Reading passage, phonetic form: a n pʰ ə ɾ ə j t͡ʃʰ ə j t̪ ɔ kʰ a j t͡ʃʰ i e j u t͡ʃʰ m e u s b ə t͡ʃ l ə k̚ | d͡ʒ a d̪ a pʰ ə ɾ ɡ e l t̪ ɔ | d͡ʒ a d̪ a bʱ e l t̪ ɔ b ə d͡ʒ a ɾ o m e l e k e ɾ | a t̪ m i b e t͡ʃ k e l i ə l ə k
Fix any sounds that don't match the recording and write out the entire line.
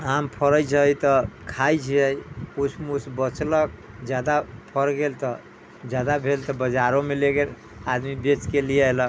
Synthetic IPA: a m pʰ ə ɾ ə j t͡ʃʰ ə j t̪ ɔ kʰ a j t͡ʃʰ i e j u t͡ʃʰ m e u s b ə t͡ʃ l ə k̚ | d͡ʒ a d̪ a pʰ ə ɾ ɡ e l t̪ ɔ | d͡ʒ a d̪ a bʱ e l t̪ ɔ b ə d͡ʒ a ɾ o m e l e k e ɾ | a d̪ m i b e t͡ʃ k e l i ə l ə k

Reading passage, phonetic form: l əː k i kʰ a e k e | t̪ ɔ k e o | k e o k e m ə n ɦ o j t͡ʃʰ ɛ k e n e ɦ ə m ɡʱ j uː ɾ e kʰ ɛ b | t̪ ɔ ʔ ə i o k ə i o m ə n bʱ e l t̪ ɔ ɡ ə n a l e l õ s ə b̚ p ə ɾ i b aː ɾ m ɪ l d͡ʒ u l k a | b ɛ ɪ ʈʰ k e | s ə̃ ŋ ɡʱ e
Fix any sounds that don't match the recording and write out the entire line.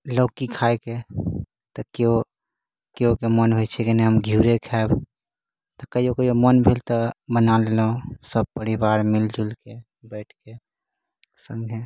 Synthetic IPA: l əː k i kʰ a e k e | t̪ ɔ k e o | k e o k e m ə n ɦ o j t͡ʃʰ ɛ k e n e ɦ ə m ɡʱ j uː ɾ e kʰ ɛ b | t̪ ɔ k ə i o k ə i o m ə n bʱ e l t̪ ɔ b ə n a l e l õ s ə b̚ p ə ɾ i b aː ɾ m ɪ l d͡ʒ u l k e | b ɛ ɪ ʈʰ k e | s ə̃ ŋ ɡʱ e

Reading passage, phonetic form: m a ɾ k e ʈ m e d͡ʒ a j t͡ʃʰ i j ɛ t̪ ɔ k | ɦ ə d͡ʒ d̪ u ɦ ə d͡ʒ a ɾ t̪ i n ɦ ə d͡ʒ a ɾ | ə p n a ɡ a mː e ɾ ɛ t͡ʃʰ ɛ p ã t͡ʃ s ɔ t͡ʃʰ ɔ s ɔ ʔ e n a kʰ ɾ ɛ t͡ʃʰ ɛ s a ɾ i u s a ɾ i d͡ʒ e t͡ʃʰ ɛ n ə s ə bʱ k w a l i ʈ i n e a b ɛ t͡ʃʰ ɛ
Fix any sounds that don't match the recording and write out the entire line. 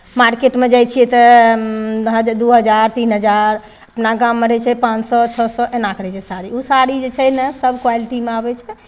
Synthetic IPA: m a ɾ k e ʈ m e d͡ʒ a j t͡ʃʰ i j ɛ t̪ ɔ | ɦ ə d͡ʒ d̪ u ɦ ə d͡ʒ a ɾ t̪ i n ɦ ə d͡ʒ a ɾ | ə p n a ɡ a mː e ɾ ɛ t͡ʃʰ ɛ p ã t͡ʃ s ɔ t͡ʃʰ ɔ s ɔ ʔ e n a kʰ ɾ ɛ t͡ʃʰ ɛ s a ɾ i u s a ɾ i d͡ʒ e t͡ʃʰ ɛ n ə s ə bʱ k w a l i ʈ i m e a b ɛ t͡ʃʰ ɛ

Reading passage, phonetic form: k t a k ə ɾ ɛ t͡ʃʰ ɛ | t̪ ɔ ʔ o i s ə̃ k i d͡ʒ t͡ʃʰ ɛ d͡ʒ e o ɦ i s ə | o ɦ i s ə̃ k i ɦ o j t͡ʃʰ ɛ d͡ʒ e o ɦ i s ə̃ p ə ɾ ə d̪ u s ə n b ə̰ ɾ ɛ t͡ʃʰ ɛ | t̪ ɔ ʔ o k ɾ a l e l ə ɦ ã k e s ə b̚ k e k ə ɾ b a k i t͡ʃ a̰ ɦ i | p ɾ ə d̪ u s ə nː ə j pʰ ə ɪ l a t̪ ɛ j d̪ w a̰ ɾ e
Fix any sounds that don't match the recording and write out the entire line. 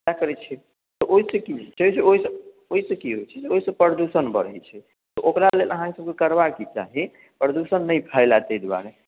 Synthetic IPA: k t a k ə ɾ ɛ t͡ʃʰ ɛ | t̪ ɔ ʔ o i s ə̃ k i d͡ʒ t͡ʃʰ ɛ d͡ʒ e o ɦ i s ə | o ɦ i s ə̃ k i ɦ o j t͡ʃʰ ɛ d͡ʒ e o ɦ i s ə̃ p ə ɾ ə d̪ u s ə n b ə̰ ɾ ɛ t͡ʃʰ ɛ | t̪ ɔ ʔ o k ɾ a l e l ə ɦ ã k e s ə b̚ k e k ə ɾ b a k i t͡ʃ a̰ ɦ i | p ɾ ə d̪ u s ə nː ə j pʰ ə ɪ l a t̪ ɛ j d̪ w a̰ ɾ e

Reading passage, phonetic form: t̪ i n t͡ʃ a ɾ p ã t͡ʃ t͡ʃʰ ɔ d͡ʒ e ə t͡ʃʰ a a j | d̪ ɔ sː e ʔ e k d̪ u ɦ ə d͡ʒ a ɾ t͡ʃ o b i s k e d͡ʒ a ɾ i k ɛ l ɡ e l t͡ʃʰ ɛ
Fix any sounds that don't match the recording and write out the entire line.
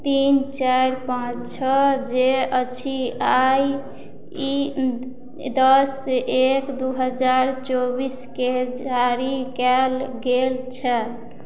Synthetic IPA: t̪ i n t͡ʃ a ɾ p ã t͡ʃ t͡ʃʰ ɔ d͡ʒ e ə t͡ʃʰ i a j | d̪ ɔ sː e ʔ e k d̪ u ɦ ə d͡ʒ a ɾ t͡ʃ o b i s k e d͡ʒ a ɾ i k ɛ l ɡ e l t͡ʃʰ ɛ

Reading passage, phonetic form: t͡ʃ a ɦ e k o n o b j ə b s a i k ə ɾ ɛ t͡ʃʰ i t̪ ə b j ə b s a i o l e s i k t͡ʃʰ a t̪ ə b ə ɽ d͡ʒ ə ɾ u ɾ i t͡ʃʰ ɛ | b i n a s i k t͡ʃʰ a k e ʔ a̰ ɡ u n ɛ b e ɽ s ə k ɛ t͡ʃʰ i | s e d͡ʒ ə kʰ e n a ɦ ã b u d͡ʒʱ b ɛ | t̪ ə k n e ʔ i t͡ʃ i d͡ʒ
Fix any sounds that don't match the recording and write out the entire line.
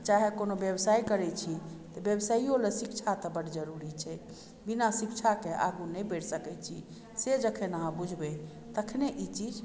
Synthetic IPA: t͡ʃ a ɦ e k o n o b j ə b s a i k ə ɾ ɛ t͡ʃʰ i t̪ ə b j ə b s a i o l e s i k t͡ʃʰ a t̪ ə b ə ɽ d͡ʒ ə ɾ u ɾ i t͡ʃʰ ɛ | b i n a s i k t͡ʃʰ a k e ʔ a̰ ɡ u n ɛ b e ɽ s ə k ɛ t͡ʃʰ i | s e d͡ʒ ə kʰ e n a ɦ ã b u d͡ʒʱ b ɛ | t̪ ə kʰ n e ʔ i t͡ʃ i d͡ʒ

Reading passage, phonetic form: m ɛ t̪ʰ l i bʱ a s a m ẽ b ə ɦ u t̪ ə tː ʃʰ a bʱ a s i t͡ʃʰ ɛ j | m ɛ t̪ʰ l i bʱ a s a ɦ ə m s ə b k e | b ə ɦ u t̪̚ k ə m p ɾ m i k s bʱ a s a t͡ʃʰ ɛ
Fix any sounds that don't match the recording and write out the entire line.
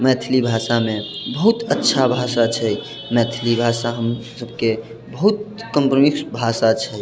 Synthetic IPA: m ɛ t̪ʰ l i bʱ a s a m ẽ b ə ɦ u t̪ ə tː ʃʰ a bʱ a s a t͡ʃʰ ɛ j | m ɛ t̪ʰ l i bʱ a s a ɦ ə m s ə b k e | b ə ɦ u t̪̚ k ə m p ɾ m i k s bʱ a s a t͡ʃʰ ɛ

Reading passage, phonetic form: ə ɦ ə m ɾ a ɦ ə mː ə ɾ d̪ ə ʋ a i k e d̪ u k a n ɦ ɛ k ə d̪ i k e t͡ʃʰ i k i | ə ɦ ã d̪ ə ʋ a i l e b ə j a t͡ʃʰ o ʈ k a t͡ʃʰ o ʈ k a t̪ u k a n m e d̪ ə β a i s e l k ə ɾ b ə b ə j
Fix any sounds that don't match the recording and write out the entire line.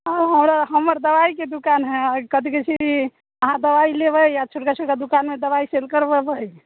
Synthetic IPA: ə ɦ ə m ɾ a ɦ ə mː ə ɾ d̪ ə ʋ a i k e d̪ u k a n ɦ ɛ k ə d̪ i k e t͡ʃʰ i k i | ə ɦ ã d̪ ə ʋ a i l e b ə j a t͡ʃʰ o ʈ k a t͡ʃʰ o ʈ k a d̪ u k a n m e d̪ ə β a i s e l k ə ɾ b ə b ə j

